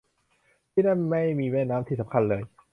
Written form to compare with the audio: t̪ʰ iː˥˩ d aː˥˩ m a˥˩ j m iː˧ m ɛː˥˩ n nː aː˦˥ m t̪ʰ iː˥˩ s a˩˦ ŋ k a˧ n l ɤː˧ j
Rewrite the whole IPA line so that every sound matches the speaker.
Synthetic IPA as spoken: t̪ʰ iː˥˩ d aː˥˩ m a˥˩ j m iː˧ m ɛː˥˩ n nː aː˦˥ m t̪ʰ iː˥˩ s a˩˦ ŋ kʰ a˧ n l ɤː˧ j

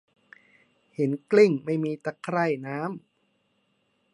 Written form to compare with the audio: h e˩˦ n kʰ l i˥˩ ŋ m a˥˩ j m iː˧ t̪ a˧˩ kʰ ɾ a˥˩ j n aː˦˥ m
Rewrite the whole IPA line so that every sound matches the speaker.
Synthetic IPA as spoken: h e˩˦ n k l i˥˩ ŋ m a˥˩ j m iː˧ t̪ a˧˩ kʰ ɾ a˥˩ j n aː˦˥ m

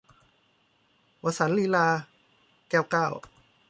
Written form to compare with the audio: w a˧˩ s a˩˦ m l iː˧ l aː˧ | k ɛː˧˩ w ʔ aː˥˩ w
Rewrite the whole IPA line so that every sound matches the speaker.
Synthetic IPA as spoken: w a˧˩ s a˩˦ n l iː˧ l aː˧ | k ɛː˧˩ w k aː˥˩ w

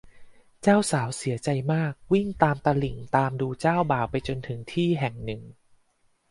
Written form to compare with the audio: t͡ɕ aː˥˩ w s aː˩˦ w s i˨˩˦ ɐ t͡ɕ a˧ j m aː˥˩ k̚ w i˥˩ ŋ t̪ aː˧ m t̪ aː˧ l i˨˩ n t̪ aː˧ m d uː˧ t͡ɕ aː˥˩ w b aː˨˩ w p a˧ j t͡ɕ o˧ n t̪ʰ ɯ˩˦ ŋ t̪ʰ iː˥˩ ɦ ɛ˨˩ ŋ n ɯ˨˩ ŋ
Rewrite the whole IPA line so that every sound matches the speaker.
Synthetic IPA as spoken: t͡ɕ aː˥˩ w s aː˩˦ w s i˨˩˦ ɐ t͡ɕ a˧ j m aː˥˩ k̚ w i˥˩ ŋ t̪ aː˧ m t̪ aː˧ l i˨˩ ŋ t̪ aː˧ m d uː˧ t͡ɕ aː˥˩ w b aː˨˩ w p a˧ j t͡ɕ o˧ n t̪ʰ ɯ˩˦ ŋ t̪ʰ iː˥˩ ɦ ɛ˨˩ ŋ n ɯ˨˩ ŋ

